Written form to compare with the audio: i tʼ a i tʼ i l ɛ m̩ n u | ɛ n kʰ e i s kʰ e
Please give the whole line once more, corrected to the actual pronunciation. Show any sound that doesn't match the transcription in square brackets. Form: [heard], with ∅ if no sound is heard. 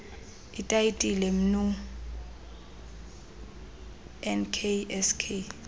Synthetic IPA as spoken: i tʼ a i tʼ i l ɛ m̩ n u | ɛ n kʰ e [ɛ] s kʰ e